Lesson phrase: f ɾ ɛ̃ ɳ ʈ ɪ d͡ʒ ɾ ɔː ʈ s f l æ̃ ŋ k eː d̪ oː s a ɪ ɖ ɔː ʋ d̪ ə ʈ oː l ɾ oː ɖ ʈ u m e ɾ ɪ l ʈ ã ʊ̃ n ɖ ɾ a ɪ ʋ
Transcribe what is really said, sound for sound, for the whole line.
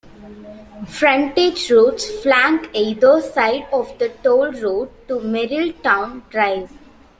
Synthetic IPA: f ɾ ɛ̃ ɳ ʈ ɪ d͡ʒ ɾ uː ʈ s f l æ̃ ŋ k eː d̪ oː s a ɪ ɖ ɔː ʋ d̪ ə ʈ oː l ɾ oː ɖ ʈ u m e ɾ ɪ l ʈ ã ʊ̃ n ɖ ɾ a ɪ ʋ